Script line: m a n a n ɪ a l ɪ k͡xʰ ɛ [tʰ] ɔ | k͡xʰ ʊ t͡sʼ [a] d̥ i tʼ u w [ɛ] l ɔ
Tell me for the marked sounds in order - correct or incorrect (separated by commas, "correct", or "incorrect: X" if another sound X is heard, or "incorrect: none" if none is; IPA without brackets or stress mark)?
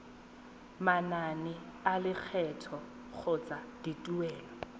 correct, correct, incorrect: ɛː